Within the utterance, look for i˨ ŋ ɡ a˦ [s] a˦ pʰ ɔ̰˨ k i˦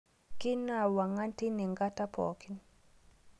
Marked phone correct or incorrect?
incorrect